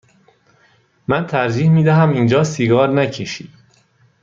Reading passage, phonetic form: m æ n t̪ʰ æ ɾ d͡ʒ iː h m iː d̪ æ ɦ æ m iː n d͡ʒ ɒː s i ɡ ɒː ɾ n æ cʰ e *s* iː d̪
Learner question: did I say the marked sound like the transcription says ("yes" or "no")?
no